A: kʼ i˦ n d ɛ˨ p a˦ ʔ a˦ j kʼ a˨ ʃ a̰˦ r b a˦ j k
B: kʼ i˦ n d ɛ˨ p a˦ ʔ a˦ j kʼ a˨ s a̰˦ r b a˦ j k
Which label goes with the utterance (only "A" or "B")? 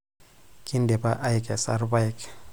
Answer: B